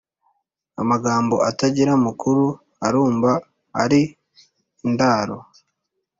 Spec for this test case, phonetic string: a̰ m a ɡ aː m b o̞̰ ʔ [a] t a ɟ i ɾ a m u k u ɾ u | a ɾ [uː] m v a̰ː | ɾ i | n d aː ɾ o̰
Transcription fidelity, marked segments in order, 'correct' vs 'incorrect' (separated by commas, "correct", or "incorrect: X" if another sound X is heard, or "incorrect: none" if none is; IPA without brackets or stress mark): correct, correct